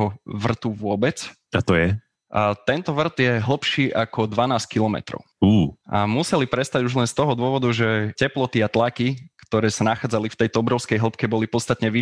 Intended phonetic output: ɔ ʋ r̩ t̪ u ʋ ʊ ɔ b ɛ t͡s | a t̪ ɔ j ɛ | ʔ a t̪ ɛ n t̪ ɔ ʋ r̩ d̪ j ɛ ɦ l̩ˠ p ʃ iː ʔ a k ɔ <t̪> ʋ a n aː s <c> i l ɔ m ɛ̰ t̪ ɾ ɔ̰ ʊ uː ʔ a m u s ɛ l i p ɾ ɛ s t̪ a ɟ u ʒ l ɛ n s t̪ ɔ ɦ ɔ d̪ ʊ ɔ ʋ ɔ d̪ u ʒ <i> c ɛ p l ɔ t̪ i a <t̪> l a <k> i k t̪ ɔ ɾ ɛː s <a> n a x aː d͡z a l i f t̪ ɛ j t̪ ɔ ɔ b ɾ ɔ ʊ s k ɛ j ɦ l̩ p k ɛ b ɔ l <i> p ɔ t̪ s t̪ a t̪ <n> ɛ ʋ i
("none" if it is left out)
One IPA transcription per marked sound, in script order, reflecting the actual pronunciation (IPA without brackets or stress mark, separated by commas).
d̪, k, ɛ, t̪, k, a, i, ɲ